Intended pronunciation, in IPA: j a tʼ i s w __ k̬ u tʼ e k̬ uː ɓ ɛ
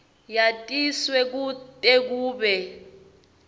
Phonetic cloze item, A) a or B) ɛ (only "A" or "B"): B